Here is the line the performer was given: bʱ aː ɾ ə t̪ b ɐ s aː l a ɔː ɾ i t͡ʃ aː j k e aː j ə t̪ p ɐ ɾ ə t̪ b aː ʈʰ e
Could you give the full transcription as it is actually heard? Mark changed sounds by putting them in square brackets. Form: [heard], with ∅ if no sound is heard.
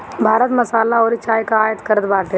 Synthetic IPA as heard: bʱ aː ɾ ə t̪ [m] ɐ s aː l a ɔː ɾ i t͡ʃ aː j k [a] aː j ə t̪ [k] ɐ ɾ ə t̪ b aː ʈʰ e